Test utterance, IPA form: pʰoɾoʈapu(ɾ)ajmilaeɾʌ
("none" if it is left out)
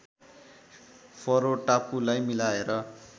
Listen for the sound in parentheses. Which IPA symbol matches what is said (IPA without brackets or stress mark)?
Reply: l